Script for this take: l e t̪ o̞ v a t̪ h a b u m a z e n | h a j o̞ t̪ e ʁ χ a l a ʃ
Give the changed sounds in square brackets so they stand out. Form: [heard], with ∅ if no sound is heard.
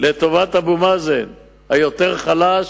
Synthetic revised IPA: l e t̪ o̞ v a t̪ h a b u m a z e n | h a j o̞ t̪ e ʁ χ a l a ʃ